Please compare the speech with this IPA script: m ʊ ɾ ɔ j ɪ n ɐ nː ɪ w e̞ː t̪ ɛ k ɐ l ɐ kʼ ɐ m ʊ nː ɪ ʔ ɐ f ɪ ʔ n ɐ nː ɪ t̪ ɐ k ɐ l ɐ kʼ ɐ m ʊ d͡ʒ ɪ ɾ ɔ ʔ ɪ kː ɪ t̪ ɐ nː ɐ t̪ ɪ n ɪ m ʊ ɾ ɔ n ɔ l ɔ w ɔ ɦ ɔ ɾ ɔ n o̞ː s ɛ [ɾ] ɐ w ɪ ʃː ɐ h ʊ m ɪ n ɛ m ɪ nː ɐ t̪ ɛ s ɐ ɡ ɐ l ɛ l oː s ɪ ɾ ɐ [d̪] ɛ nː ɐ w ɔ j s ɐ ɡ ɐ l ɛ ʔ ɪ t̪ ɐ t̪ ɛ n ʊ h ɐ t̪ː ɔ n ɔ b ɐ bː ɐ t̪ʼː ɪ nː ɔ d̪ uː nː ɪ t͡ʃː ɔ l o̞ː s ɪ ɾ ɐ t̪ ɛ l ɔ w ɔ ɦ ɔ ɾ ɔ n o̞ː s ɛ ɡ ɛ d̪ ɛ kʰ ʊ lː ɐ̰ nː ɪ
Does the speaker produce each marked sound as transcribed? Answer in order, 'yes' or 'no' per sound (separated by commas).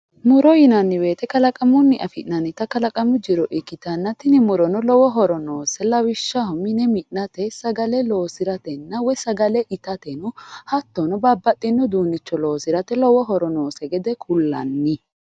no, no